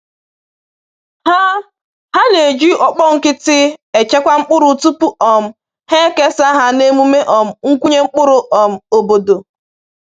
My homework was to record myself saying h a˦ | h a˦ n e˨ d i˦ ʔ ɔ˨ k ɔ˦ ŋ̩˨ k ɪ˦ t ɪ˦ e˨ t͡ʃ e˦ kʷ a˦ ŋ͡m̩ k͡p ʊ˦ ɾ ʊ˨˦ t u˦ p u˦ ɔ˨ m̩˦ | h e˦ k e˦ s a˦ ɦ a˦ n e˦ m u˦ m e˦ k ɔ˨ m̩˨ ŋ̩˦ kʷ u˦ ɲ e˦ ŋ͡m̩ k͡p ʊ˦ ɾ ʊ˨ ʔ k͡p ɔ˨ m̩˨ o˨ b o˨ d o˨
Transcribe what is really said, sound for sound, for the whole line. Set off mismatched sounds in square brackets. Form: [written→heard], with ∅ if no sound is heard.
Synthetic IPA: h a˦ | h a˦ n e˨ [d→d͡ʒ] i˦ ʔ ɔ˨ [k→k͡p] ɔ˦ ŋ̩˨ k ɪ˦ t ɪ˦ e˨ t͡ʃ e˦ kʷ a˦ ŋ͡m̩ k͡p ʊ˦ ɾ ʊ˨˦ t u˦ p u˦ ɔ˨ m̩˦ | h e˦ k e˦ s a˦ ɦ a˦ n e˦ m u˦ m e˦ [k→ʔ] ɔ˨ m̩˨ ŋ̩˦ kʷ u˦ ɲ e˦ ŋ͡m̩ k͡p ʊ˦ ɾ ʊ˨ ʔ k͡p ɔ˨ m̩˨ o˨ b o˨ d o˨